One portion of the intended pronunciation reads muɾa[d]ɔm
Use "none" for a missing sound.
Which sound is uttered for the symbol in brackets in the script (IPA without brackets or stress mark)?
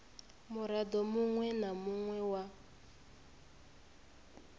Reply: d